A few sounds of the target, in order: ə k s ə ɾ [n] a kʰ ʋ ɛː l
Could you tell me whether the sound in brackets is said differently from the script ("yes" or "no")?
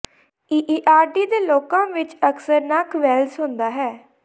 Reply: no